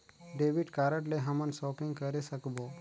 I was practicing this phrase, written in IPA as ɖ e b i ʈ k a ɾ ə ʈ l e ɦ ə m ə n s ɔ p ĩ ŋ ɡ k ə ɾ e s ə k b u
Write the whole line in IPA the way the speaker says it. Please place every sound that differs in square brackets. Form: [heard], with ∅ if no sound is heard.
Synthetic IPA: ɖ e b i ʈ k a ɾ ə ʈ l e ɦ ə m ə n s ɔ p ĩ ŋ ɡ k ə ɾ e s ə k b [o]